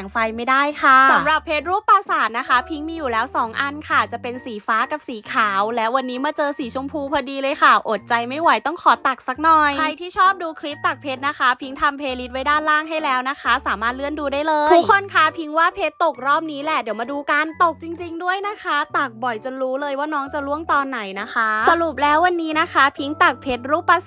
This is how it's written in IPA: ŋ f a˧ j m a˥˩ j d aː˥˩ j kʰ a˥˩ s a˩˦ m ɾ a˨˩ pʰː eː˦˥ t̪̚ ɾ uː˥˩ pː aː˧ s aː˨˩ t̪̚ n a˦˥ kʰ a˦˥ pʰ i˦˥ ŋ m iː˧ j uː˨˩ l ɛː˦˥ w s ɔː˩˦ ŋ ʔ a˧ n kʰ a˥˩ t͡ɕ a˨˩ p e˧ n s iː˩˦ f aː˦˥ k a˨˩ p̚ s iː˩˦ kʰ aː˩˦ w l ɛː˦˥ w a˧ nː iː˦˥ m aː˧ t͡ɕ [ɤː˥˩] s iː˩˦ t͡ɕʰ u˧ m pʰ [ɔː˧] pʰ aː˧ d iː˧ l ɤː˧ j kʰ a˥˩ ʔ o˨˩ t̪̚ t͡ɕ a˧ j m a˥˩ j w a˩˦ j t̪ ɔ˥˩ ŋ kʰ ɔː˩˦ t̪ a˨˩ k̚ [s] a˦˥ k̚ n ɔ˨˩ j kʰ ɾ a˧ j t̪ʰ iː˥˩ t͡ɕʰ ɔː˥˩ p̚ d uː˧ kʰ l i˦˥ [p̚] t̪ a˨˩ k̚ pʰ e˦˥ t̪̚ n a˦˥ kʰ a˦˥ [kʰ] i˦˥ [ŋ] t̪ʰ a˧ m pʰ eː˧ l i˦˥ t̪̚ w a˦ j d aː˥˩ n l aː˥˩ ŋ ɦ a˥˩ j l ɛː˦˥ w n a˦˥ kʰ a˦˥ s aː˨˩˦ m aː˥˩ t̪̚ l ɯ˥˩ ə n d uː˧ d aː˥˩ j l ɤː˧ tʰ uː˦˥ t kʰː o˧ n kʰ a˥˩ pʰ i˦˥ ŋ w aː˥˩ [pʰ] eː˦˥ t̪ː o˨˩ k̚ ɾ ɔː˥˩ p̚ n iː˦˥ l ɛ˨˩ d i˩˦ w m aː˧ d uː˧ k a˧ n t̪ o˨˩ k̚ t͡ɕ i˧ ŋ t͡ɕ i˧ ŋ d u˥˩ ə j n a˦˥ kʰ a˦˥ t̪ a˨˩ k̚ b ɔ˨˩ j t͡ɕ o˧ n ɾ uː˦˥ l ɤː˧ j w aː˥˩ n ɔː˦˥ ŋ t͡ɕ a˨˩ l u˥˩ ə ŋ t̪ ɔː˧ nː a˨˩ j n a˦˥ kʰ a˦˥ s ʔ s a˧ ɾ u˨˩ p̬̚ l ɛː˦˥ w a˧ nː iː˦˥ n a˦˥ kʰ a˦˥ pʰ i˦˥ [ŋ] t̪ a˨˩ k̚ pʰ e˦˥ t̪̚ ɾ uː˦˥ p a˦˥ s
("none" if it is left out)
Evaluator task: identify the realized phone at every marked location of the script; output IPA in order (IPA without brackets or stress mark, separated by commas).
ɤː˧, uː˧, s, p̚, pʰ, ŋ, pʰ, ŋ